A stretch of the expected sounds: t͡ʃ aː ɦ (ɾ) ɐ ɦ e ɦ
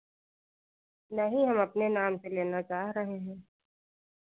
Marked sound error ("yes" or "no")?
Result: no